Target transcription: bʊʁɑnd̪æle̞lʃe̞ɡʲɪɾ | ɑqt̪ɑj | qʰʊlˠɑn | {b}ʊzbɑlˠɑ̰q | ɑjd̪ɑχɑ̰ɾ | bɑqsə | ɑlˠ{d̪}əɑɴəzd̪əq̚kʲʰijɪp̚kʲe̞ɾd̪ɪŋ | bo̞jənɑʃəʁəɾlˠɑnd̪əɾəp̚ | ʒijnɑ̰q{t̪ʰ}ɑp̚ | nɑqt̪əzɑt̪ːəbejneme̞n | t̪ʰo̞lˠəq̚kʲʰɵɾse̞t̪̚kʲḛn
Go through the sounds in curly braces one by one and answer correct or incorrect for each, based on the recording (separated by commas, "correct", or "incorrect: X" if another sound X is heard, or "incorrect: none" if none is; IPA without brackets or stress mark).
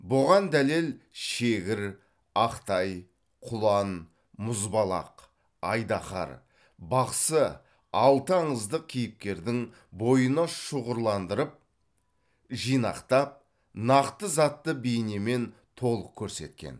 incorrect: m, incorrect: t̪, incorrect: t̪